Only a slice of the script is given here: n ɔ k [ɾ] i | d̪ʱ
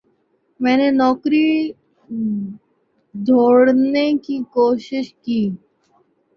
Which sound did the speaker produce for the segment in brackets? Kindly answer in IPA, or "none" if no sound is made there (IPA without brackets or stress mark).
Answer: ɾ